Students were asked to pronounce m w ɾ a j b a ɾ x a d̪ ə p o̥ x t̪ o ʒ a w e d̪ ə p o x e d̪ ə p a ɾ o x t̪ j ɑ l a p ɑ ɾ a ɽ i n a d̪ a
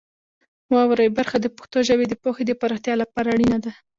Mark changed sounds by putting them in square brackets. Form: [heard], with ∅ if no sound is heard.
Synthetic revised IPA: m w ɾ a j b a ɾ x a d̪ ə p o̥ x t̪ o ʒ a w e d̪ ə p o x e d̪ ə p a ɾ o x t̪ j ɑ l a p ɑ ɾ a ɽ i n a d̪ a